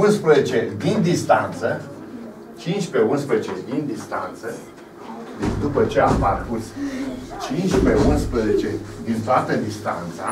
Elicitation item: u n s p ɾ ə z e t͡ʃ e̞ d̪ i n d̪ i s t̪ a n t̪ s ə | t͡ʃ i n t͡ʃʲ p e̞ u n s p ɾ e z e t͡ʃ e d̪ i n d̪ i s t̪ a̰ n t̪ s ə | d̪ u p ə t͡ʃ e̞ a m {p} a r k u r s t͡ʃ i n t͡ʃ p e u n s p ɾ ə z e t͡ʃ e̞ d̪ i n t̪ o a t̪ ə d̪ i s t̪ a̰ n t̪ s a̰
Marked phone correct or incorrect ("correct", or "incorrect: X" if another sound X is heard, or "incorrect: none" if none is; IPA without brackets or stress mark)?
correct